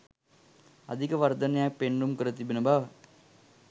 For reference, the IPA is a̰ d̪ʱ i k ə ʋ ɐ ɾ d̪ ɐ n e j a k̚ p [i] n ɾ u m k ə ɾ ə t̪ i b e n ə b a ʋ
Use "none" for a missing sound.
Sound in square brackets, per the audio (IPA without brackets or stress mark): e